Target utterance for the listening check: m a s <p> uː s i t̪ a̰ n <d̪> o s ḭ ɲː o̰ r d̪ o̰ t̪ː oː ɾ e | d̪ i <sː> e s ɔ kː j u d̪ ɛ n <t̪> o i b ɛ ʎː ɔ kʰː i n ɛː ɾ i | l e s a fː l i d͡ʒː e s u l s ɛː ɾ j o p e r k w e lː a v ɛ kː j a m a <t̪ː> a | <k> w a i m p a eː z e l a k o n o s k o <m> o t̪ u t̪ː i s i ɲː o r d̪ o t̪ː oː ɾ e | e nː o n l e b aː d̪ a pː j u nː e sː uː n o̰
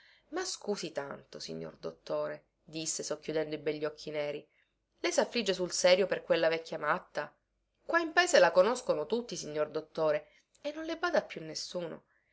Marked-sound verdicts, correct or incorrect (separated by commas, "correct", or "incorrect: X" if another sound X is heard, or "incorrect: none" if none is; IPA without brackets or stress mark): incorrect: k, incorrect: t̪, correct, incorrect: d̪, correct, correct, incorrect: n